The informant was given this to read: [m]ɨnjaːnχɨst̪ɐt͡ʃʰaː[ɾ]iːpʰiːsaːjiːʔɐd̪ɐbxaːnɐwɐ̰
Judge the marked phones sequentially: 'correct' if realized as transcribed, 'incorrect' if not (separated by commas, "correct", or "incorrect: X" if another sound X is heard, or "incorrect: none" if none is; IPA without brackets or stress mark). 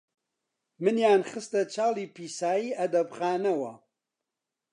correct, incorrect: l